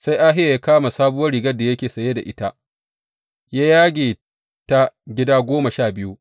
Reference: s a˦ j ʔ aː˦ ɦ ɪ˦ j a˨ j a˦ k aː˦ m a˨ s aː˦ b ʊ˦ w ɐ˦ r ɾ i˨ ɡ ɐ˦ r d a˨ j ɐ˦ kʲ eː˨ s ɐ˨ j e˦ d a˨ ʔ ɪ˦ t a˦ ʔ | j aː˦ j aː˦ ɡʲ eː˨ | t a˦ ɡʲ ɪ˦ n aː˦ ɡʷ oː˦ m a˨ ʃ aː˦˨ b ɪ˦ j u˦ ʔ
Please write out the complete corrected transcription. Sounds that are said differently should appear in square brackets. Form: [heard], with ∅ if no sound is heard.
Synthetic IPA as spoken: s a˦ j ʔ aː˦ ɦ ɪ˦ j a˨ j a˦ k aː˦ m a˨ s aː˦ b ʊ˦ w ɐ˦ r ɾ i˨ ɡ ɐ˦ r d a˨ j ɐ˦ kʲ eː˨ s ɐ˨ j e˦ d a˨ ʔ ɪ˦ t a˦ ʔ | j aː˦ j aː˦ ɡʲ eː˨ | t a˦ ɡʲ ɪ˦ [d] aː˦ ɡʷ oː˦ m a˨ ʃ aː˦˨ b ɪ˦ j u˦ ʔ